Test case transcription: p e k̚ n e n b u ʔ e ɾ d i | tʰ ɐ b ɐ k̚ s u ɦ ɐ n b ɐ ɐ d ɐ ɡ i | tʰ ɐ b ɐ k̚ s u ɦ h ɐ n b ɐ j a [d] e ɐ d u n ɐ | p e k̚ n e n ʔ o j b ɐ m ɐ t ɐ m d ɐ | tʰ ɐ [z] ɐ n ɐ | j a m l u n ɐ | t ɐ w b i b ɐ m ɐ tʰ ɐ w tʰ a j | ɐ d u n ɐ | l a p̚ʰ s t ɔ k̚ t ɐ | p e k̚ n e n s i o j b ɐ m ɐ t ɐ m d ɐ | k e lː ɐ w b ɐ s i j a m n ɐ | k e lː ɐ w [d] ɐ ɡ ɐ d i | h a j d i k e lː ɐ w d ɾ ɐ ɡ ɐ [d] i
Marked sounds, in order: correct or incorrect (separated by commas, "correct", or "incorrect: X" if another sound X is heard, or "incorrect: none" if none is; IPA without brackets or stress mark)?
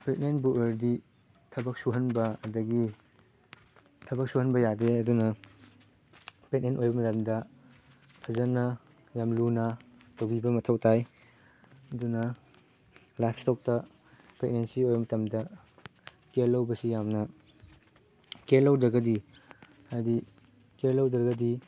correct, correct, correct, correct